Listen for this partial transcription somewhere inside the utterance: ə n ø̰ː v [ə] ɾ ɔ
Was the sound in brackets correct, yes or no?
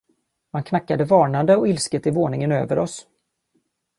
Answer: yes